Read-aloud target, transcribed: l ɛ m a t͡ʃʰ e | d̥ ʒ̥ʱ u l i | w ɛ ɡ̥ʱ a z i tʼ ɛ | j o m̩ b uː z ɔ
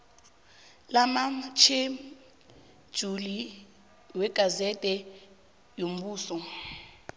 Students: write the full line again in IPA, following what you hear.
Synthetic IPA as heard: l a m a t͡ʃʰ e | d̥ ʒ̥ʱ u l i | w ɛ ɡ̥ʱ a z ɛ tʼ ɛ | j o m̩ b uː s ɔ